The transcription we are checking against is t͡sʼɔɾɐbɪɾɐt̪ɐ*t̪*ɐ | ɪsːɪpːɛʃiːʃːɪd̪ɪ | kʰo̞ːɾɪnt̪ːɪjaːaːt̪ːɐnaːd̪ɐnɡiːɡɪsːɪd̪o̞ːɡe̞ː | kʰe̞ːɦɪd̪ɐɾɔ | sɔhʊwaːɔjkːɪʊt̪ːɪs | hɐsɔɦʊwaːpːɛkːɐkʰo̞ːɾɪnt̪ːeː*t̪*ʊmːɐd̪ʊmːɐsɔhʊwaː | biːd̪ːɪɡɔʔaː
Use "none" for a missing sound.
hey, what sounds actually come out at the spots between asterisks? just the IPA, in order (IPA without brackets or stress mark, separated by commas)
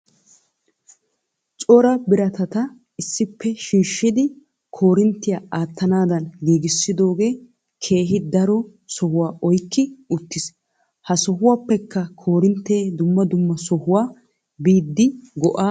t̪, d̪